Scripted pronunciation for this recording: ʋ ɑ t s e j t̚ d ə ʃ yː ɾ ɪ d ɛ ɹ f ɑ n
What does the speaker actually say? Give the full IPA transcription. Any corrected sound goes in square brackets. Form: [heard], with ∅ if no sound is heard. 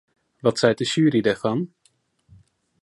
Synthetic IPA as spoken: ʋ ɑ t s [ɛ] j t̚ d ə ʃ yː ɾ [i] d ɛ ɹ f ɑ n